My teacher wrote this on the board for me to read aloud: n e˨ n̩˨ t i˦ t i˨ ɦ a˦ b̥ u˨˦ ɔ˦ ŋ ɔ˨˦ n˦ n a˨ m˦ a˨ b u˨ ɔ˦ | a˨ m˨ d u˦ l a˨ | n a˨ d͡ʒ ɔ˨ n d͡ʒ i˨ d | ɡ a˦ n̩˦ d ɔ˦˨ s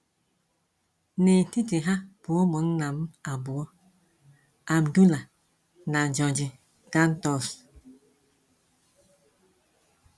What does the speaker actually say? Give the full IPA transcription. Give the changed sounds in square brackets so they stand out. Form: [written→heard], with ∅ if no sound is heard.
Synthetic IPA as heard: n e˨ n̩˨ t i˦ t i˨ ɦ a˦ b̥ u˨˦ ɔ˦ [ŋ→m] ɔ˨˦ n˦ n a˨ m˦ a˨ b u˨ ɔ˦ | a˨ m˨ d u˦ l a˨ | n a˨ d͡ʒ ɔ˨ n d͡ʒ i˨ [d→∅] | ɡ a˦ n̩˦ [d→t] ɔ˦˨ s